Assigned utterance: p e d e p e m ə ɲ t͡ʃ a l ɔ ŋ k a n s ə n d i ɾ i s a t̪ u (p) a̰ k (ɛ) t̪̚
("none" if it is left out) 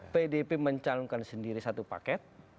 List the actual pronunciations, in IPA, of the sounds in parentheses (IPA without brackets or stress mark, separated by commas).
p, ɛ